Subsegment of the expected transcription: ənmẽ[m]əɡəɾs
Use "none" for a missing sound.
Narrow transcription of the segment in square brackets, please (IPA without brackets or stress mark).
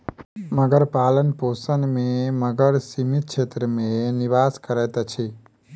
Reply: m